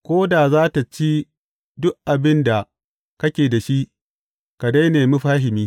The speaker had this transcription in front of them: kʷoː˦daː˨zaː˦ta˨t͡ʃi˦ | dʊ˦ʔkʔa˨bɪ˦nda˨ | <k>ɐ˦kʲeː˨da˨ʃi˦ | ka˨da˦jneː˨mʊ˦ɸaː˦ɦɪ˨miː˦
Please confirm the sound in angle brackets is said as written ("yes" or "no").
yes